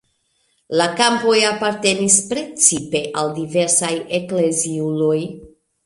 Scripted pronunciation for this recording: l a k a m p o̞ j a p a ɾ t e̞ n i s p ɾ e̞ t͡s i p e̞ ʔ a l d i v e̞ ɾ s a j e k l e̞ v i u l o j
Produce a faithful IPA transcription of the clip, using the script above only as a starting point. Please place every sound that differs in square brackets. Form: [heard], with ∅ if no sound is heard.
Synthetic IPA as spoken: l a k a m p o̞ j a p a ɾ t e̞ n i s p ɾ e̞ t͡s i p e̞ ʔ a l d i v e̞ ɾ s a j e k l e̞ [z] i u l o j